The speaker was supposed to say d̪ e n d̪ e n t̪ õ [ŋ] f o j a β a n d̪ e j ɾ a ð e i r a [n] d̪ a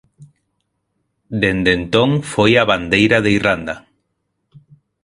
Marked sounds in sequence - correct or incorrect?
correct, correct

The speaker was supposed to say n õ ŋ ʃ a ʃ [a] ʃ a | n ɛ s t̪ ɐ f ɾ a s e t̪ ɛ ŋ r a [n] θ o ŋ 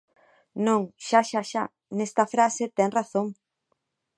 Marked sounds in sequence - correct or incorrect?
correct, incorrect: none

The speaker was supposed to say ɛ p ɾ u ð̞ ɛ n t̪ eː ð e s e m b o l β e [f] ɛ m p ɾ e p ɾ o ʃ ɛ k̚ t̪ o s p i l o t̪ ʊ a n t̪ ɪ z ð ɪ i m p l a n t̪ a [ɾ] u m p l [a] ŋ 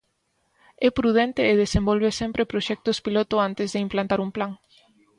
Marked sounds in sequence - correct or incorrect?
incorrect: s, correct, correct

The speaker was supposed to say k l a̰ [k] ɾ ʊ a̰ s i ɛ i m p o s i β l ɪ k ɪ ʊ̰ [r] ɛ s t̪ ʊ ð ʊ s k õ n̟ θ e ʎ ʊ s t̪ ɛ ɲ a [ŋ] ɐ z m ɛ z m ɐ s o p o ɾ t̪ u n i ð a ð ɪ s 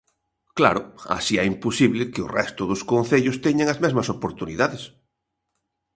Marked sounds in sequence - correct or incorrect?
incorrect: none, correct, correct

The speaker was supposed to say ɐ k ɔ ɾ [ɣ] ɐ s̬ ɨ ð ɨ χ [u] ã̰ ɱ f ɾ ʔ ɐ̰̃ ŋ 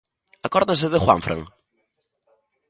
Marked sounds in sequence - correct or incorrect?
incorrect: ð, incorrect: w

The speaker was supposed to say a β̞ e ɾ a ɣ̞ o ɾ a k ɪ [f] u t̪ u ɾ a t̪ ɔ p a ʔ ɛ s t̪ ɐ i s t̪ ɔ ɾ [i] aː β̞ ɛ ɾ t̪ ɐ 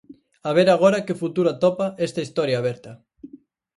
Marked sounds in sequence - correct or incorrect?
correct, incorrect: j

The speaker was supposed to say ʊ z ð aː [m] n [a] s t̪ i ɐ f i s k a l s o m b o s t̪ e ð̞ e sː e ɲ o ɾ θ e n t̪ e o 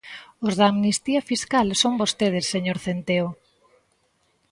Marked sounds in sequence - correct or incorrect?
correct, incorrect: i

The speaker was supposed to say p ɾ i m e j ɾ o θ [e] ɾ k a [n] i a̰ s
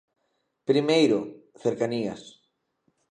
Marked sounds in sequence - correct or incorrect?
correct, correct

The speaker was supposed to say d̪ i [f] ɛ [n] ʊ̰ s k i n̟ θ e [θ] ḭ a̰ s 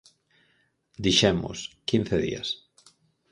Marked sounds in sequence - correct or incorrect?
incorrect: ʃ, incorrect: m, incorrect: ð

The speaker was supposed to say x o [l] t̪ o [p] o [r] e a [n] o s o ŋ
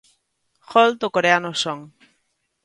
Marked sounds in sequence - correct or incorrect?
correct, incorrect: k, incorrect: ɾ, correct

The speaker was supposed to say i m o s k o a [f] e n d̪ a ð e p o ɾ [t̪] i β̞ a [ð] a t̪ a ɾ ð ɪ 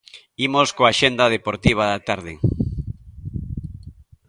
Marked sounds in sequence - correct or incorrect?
incorrect: ʃ, correct, correct

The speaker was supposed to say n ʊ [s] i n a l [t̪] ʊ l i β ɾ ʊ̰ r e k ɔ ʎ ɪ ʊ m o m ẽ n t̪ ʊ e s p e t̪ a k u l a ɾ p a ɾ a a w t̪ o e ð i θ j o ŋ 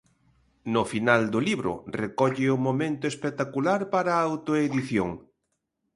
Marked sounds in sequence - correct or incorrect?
incorrect: f, incorrect: d̪

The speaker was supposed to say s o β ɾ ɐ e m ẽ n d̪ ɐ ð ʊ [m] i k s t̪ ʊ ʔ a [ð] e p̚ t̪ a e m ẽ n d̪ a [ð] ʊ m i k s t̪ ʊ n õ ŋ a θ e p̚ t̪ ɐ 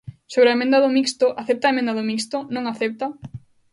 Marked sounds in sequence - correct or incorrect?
correct, incorrect: θ, correct

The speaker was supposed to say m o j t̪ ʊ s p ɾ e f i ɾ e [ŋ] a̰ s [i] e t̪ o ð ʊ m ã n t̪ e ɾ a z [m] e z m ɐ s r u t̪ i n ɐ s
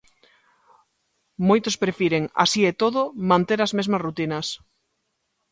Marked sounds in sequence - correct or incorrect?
correct, correct, correct

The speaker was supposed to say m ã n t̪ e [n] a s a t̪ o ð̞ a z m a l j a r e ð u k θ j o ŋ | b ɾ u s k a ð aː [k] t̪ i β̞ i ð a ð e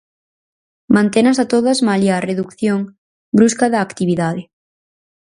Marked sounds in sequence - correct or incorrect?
correct, correct

